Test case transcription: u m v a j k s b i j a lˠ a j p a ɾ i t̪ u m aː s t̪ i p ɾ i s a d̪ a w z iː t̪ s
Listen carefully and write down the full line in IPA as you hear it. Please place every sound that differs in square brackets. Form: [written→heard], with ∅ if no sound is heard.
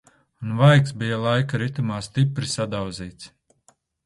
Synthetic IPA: u [m→n] v a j k s b i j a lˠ a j [p→k] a ɾ i t̪ u m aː s t̪ i p ɾ i s a d̪ a w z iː t̪ s